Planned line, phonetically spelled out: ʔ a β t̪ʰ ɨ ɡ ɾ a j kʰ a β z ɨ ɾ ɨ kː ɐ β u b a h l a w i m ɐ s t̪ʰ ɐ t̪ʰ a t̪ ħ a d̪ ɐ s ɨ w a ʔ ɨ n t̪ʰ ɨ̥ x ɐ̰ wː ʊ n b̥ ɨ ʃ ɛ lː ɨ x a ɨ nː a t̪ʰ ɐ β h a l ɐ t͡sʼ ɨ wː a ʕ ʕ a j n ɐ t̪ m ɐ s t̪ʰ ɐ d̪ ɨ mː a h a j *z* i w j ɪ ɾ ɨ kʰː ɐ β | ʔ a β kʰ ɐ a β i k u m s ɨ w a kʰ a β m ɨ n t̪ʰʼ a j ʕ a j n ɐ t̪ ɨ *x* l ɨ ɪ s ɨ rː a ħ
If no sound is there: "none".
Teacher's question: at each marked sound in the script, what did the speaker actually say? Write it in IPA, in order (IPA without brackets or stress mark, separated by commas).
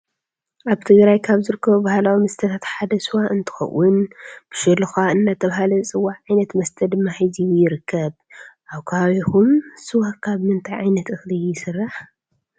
z, x